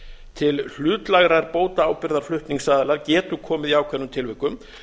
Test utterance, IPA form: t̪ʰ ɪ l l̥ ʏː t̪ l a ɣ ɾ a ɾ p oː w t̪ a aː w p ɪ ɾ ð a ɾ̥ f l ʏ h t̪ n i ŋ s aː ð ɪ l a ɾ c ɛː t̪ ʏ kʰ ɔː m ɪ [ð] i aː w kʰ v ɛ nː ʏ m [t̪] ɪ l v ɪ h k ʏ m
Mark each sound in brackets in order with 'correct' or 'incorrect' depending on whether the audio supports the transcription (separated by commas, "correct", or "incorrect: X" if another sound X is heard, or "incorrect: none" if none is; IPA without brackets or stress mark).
correct, incorrect: t̪ʰ